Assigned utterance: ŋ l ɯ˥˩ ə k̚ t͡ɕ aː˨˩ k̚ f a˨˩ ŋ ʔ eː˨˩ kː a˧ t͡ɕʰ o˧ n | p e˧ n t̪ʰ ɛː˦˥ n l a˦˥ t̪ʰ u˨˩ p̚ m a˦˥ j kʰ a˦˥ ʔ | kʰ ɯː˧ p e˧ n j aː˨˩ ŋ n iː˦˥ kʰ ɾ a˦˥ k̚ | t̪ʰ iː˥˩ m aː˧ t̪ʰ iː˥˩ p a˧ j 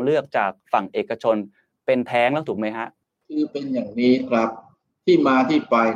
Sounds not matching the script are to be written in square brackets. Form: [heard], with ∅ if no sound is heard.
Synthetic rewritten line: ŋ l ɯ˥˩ ə k̚ t͡ɕ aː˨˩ k̚ f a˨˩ ŋ ʔ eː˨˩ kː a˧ t͡ɕʰ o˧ n | p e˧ n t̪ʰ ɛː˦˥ [ŋ] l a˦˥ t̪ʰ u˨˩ [k̚] m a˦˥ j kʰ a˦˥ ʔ | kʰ ɯː˧ p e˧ n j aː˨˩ ŋ n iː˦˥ kʰ ɾ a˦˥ [p̚] | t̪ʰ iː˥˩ m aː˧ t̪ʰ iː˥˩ p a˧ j